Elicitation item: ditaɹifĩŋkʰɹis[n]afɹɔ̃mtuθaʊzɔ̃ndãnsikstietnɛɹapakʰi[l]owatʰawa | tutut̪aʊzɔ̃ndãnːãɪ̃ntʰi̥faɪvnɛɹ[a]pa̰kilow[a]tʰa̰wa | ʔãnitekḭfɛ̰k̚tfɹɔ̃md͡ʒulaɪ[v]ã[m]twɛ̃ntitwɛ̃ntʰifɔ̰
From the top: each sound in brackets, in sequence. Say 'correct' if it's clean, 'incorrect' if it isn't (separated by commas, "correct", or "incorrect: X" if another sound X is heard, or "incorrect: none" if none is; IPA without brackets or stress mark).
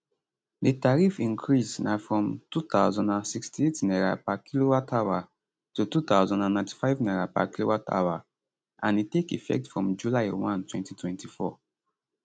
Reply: correct, correct, correct, correct, incorrect: w, incorrect: n